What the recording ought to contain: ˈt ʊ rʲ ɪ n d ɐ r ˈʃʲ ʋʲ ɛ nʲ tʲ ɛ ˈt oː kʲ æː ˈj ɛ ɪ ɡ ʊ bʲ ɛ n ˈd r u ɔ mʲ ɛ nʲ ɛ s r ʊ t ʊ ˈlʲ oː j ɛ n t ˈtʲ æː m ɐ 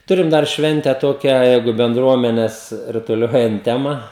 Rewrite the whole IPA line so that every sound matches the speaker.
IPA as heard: ˈt ʊ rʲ ɪ m d ɐ r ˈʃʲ ʋʲ ɛ nʲ tʲ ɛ ˈt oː kʲ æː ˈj ɛ ɪ ɡ ʊ bʲ ɛ n ˈd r u ɔ mʲ ɛ nʲ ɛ s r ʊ t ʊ ˈlʲ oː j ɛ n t ˈtʲ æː m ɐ